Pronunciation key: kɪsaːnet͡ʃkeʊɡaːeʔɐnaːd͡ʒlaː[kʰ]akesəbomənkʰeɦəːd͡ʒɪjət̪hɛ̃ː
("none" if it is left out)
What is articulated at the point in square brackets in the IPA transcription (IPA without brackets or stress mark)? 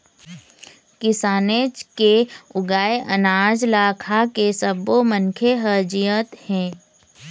kʰ